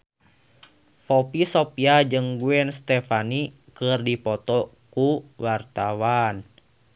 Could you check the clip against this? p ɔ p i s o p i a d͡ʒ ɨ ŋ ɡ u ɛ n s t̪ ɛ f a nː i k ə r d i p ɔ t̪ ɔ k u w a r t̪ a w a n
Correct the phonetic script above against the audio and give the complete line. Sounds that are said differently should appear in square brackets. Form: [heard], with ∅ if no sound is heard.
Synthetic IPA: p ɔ p i s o p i a d͡ʒ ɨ ŋ ɡ u ɛ n s t̪ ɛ f a [n] i k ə r d i p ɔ t̪ ɔ k u w a r t̪ a w a n